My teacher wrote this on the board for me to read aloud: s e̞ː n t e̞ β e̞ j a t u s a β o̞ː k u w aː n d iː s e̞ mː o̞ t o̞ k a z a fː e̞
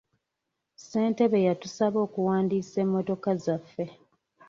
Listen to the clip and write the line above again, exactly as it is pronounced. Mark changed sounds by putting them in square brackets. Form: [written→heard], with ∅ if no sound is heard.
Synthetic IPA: s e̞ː n t e̞ β e̞ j a t u s a β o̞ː k u w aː n d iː s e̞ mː o̞ t o̞ k a z a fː e̞